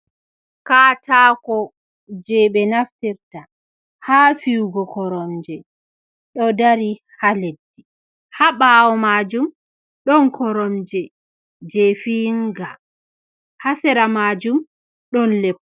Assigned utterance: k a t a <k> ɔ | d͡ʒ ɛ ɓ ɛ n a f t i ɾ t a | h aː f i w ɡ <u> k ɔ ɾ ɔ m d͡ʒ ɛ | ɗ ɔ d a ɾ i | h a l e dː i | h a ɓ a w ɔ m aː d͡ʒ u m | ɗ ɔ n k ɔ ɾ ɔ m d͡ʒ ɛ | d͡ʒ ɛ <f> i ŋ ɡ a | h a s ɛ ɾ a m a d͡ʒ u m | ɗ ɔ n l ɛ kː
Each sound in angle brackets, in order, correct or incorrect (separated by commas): correct, incorrect, correct